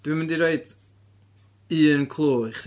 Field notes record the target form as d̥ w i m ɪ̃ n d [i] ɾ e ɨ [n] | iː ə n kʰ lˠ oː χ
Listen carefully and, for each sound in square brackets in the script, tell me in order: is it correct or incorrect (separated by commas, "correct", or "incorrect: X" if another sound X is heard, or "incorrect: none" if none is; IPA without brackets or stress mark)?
correct, incorrect: d